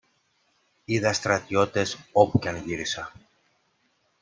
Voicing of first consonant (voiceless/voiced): voiced